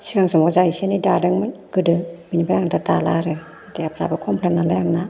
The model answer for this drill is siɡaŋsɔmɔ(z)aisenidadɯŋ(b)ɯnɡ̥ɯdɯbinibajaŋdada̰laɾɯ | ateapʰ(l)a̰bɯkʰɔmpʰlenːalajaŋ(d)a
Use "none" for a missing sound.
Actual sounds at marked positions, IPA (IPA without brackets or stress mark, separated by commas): z, m, ɾ, n